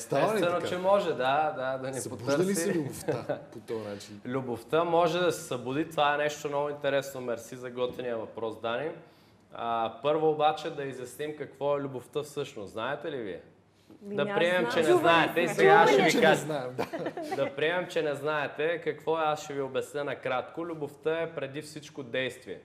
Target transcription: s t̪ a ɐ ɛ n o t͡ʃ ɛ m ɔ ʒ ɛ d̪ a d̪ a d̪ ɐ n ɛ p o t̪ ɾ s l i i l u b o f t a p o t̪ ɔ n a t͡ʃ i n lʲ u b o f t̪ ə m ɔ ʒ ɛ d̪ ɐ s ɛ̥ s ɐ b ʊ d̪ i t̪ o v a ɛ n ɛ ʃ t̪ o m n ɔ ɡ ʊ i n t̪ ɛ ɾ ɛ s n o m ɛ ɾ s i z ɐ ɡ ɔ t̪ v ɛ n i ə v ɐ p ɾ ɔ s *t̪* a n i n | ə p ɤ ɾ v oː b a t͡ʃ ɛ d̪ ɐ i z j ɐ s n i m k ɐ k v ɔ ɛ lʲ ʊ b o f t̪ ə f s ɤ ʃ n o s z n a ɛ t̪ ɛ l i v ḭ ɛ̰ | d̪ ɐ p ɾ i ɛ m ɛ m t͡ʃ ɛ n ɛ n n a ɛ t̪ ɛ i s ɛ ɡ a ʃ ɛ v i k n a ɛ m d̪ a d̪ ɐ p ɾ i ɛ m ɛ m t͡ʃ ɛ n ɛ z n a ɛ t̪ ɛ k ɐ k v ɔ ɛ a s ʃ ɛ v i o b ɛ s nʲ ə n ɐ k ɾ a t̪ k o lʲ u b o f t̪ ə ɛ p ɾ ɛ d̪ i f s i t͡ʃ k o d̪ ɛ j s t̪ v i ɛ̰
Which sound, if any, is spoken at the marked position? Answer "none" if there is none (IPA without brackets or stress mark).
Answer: d̪